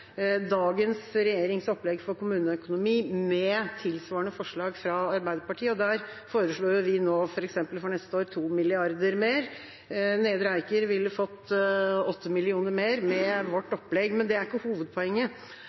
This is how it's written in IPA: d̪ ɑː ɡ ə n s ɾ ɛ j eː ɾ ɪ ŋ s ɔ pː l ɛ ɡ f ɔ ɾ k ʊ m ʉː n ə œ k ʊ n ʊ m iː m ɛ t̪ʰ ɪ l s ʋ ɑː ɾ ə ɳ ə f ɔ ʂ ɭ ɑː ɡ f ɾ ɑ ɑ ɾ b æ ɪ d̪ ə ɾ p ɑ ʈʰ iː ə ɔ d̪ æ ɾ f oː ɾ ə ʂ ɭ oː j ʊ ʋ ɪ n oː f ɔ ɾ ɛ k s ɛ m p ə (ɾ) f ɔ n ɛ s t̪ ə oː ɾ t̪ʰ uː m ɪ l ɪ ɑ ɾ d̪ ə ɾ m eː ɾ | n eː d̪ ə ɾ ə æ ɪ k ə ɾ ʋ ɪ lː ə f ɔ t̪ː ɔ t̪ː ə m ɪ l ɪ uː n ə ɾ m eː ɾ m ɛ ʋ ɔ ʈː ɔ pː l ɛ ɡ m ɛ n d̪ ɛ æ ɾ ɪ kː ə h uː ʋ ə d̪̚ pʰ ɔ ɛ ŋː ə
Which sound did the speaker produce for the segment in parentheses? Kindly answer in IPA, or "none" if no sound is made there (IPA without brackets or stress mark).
l